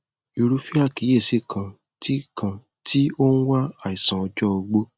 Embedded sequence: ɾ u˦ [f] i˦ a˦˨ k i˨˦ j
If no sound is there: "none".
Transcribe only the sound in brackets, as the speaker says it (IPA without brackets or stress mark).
f